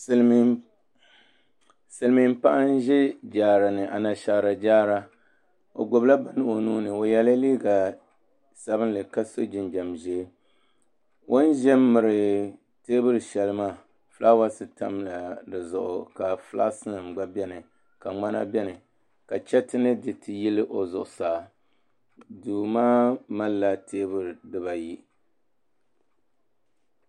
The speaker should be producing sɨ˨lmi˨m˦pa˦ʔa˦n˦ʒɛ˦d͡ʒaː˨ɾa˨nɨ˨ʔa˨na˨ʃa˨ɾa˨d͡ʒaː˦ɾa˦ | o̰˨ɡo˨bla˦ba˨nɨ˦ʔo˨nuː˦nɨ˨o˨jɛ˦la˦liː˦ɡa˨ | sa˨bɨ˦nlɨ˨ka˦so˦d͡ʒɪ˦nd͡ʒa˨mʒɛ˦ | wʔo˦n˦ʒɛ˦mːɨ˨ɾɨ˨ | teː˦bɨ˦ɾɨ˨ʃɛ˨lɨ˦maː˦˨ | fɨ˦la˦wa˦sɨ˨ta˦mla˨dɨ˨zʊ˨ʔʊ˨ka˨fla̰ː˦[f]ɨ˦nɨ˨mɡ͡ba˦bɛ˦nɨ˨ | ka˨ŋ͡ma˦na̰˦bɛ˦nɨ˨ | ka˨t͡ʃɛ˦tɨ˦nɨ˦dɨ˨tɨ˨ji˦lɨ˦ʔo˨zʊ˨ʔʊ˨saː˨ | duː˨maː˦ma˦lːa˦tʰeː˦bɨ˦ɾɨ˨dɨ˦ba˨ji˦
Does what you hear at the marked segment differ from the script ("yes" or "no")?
yes